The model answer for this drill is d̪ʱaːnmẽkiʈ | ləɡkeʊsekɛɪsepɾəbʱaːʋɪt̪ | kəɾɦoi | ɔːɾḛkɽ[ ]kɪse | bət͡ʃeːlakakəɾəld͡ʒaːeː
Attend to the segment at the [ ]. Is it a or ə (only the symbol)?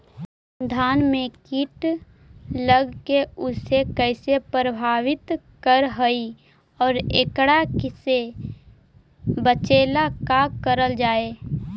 a